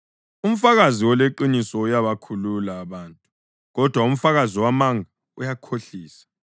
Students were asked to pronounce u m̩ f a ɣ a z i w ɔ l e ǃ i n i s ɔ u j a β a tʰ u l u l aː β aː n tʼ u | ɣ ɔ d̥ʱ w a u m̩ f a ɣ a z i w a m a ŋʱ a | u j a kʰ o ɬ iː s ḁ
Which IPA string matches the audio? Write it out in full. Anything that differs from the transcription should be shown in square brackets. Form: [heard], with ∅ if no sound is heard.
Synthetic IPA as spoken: u m̩ f a ɣ a z i w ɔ l e ǃ i n i s ɔ u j a β a [kʰ] u l u l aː β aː n tʼ u | ɣ ɔ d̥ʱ w a u m̩ f a ɣ a z i w a m a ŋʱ a | u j a kʰ o ɬ iː s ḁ